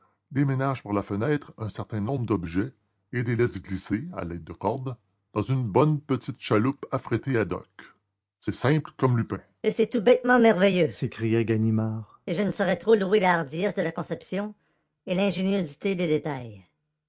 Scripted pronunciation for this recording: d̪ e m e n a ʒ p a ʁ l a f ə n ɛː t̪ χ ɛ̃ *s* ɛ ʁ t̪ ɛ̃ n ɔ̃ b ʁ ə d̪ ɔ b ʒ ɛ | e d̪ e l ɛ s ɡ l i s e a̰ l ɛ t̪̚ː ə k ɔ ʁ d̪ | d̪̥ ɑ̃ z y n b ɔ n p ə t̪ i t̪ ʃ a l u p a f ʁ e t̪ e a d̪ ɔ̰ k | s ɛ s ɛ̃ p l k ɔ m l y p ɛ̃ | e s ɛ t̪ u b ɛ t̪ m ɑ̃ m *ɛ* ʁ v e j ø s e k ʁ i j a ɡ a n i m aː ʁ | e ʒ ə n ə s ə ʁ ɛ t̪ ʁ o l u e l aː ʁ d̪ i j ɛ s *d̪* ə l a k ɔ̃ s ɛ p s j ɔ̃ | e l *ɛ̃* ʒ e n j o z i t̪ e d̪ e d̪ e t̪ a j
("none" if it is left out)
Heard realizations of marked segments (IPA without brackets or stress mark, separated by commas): s, ɛ, d̪, ɛ̃